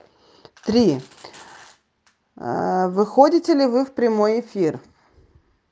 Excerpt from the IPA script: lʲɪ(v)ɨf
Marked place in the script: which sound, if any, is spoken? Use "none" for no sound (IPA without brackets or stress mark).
v